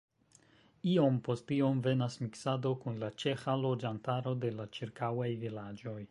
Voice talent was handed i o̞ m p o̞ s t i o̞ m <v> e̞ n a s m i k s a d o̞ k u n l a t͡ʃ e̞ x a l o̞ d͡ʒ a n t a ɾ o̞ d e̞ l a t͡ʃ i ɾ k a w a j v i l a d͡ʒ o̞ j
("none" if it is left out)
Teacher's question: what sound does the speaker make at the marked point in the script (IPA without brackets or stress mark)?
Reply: v